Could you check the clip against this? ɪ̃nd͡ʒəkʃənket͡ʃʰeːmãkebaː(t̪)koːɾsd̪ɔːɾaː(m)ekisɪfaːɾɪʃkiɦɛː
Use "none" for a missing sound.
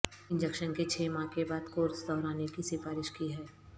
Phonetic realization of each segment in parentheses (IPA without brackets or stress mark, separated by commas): d̪, n